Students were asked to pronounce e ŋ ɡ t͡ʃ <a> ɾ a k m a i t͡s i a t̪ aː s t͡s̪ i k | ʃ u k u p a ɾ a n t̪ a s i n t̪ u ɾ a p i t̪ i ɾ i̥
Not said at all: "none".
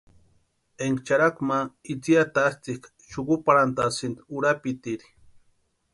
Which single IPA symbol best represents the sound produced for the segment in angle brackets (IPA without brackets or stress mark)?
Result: a